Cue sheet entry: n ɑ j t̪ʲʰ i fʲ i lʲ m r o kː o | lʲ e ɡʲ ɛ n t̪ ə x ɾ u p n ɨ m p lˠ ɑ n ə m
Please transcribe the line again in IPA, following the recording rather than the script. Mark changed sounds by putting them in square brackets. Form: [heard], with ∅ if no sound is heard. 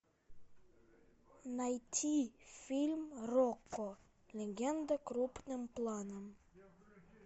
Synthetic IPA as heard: n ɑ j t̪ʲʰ i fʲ i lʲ m r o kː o | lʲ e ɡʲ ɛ n [d̪] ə [k] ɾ u p n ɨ m p lˠ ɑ n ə m